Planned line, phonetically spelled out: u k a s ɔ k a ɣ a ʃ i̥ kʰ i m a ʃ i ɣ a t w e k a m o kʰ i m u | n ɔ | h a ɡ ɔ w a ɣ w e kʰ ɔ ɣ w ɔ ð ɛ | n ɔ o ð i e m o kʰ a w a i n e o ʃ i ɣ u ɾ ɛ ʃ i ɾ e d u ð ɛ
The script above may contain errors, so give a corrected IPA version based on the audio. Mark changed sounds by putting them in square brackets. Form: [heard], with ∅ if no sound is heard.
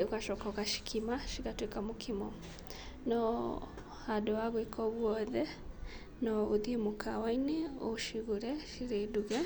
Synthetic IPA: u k a [ʃ] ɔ k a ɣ a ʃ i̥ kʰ i m a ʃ i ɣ a t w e k a m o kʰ i m [ɔ] | n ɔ | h a [d] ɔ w a ɣ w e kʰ ɔ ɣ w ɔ ð ɛ | n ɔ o ð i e m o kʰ a w a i n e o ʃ i ɣ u ɾ ɛ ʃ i ɾ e d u [ɣ] ɛ